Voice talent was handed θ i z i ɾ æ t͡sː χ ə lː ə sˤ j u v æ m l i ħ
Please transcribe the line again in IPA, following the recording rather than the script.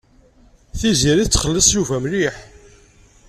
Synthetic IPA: θ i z i ɾ i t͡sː χ ə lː ə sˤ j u v æ m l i ħ